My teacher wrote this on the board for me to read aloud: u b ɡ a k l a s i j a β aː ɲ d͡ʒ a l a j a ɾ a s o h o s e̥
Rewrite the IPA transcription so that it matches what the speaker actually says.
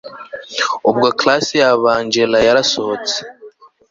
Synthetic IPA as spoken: u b ɡ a k l a s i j a β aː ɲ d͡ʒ e l a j a ɾ a s o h o t͡s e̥

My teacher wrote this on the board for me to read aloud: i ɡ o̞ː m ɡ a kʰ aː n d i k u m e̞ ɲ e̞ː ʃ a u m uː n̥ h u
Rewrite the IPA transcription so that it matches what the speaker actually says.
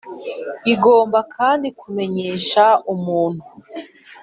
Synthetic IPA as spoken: i ɡ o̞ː m b a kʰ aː n d i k u m e̞ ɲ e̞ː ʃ a u m uː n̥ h u

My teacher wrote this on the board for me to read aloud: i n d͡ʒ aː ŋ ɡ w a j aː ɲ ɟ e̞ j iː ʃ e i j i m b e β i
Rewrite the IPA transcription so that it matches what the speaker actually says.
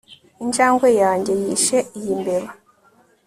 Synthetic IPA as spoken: i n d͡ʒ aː ŋ ɡ w e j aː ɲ ɟ e̞ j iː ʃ e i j i m b e β a

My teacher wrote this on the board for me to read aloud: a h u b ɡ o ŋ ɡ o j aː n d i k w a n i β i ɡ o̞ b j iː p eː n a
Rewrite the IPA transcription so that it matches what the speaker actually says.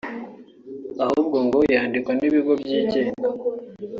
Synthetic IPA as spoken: a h u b ɡ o ŋ ɡ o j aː n d i k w a n i β i ɡ o̞ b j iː c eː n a

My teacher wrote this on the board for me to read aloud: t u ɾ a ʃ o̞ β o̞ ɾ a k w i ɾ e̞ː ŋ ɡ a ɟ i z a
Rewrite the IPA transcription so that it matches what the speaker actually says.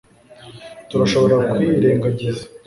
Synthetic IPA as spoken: t u ɾ a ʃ o̞ β o̞ ɾ a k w i ɾ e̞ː ŋ ɡ a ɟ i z a

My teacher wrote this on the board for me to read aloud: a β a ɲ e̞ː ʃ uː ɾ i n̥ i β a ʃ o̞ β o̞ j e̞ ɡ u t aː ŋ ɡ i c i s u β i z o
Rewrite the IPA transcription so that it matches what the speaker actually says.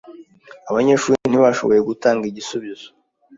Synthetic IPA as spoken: a β a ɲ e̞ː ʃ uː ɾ i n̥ i β a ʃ o̞ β o̞ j e̞ ɡ u t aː ŋ ɡ i ɟ i s u β i z o

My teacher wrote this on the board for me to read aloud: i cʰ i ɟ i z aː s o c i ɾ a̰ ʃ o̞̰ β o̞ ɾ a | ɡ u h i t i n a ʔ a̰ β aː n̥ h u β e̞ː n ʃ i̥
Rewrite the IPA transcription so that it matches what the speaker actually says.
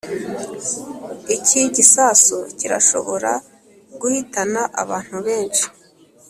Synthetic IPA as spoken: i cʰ i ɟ i s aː s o c i ɾ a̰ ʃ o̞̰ β o̞ ɾ a | ɡ u h i t a n a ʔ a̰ β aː n̥ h u β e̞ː n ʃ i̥

